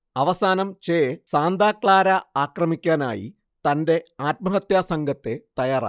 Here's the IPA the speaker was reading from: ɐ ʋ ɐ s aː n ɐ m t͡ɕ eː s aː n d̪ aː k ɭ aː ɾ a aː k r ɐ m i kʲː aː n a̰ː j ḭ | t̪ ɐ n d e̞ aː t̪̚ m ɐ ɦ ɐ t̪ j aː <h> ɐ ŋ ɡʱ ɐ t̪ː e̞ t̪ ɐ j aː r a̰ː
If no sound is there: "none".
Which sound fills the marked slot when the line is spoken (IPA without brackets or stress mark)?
s